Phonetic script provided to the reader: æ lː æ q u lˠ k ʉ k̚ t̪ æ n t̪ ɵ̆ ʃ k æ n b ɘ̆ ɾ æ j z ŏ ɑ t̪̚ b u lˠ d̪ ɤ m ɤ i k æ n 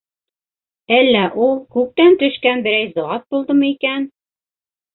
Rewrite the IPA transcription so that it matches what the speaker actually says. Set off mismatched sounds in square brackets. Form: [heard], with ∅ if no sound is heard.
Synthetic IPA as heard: æ lː æ [ʔ] u lˠ k ʉ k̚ t̪ æ n t̪ ɵ̆ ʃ k æ n b ɘ̆ ɾ æ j z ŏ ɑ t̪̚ b u lˠ d̪ ɤ m ɤ i k æ n